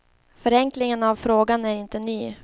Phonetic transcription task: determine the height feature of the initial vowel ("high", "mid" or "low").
mid